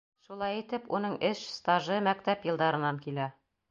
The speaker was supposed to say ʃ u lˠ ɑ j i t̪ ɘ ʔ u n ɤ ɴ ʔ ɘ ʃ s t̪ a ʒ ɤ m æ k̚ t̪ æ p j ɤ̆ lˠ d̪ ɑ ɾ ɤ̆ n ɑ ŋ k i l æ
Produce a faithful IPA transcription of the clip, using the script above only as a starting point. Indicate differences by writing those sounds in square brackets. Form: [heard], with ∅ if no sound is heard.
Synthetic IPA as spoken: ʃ u lˠ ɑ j i t̪ ɘ [p] u n ɤ ɴ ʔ ɘ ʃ s t̪ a ʒ ɤ m æ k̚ t̪ æ p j ɤ̆ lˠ d̪ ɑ ɾ ɤ̆ n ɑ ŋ k i l æ